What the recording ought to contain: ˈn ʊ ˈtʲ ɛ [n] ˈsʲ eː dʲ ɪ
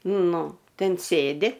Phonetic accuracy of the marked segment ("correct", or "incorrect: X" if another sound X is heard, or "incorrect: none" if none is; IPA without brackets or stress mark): correct